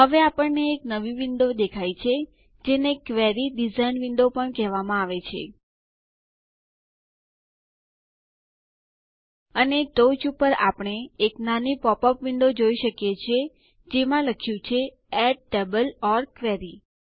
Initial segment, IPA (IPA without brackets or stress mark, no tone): ɦ